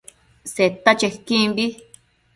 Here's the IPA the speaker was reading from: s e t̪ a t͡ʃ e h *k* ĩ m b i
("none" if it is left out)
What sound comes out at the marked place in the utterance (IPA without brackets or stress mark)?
k